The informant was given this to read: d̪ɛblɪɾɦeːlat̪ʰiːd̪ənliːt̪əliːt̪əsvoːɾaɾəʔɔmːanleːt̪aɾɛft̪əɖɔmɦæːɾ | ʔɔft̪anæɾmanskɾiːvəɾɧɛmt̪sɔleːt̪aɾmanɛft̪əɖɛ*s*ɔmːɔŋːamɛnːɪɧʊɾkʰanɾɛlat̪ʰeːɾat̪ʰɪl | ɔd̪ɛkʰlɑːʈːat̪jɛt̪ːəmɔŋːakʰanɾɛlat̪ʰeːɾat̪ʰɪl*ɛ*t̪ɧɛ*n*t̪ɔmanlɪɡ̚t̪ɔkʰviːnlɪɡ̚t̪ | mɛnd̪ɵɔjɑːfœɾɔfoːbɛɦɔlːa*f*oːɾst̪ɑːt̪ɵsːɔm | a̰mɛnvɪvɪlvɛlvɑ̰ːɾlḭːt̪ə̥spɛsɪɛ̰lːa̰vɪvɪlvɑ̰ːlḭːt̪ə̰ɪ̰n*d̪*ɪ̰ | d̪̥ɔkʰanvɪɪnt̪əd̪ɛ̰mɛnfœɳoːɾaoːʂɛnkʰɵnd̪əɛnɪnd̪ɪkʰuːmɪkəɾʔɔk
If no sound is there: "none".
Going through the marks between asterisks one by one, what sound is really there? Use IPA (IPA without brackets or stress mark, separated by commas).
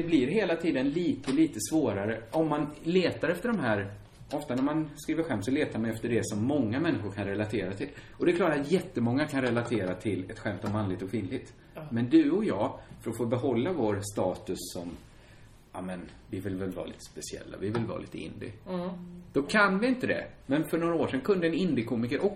s, ɛ, m, v, d̪